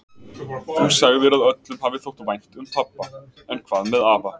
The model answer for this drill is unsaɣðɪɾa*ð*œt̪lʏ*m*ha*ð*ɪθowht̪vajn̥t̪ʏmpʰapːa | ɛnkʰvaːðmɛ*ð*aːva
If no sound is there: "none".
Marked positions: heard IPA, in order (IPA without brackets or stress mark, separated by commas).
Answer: ð, m, v, ð